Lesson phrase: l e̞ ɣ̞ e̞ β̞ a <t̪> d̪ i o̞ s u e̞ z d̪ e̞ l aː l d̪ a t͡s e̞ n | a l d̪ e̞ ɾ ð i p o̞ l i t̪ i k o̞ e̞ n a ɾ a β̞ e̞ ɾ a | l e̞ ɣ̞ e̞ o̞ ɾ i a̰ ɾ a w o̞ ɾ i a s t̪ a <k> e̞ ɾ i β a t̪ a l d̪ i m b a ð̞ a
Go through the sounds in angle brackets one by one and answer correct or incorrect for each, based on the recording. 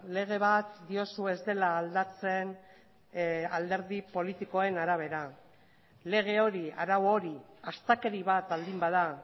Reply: correct, correct

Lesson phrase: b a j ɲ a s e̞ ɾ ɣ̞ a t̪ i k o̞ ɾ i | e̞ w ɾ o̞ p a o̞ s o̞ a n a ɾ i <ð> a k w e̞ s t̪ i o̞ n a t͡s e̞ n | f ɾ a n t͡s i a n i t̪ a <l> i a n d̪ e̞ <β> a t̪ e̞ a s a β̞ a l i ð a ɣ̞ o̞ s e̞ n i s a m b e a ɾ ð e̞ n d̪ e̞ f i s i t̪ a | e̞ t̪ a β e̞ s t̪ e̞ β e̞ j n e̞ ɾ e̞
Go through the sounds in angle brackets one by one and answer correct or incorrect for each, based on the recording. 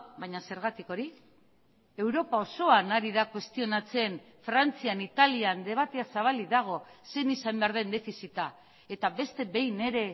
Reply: correct, correct, correct

